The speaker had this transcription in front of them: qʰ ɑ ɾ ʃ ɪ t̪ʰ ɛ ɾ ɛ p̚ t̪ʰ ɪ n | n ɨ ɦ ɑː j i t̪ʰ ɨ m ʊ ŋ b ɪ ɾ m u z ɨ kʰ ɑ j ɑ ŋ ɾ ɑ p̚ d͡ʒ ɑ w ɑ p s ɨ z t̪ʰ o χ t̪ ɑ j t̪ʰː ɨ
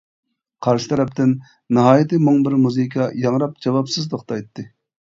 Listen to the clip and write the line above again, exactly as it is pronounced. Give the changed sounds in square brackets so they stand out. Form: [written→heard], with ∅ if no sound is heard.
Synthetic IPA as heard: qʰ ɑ ɾ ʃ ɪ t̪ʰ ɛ ɾ ɛ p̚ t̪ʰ ɪ n | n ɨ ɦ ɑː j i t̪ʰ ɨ m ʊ ŋ b ɪ ɾ m u z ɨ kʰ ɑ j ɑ ŋ ɾ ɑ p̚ d͡ʒ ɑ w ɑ p s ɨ z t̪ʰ o χ t̪ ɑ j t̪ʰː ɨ